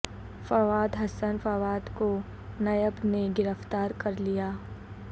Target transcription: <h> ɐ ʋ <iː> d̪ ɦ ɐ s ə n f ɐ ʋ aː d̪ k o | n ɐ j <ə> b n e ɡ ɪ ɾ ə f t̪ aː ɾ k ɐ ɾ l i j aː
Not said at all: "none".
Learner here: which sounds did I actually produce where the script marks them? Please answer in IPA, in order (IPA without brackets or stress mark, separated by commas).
f, aː, ə